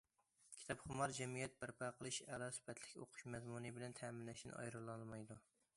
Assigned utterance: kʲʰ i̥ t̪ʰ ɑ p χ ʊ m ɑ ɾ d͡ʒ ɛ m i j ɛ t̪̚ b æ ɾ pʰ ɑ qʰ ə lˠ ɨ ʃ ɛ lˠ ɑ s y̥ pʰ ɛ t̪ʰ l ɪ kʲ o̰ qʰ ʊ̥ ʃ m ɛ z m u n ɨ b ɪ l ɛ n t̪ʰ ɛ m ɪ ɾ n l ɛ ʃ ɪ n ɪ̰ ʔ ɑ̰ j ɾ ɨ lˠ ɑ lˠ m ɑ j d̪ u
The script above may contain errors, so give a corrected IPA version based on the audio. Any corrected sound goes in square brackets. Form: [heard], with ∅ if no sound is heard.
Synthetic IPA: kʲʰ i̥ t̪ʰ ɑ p χ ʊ m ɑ ɾ d͡ʒ ɛ m i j ɛ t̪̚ b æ ɾ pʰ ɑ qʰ ə lˠ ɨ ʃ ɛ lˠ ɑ s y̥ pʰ ɛ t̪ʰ l ɪ kʲ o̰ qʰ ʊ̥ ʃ m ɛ z m u n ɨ b ɪ l ɛ n t̪ʰ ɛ m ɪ [∅] n l ɛ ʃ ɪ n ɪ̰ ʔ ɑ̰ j ɾ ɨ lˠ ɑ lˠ m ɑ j d̪ u